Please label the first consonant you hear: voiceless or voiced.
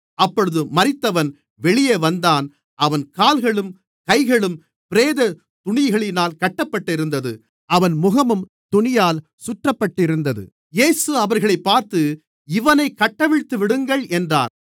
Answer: voiceless